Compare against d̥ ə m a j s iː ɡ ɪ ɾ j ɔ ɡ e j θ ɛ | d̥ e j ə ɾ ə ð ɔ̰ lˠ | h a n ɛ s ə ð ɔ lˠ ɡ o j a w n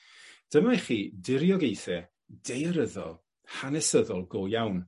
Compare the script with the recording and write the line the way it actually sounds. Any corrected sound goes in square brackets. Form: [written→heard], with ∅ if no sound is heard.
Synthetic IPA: d̥ ə m a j [s→χ] iː [ɡ→d] ɪ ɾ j ɔ ɡ e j θ ɛ | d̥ e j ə ɾ ə ð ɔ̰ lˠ | h a n ɛ s ə ð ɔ lˠ ɡ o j a w n